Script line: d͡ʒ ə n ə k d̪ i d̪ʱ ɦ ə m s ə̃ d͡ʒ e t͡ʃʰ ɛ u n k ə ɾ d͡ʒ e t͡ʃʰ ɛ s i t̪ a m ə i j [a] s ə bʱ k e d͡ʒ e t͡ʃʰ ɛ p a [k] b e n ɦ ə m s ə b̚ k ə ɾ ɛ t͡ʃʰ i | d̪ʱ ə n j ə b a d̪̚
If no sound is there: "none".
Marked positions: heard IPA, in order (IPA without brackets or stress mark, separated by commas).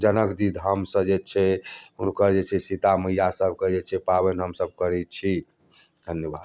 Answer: a, none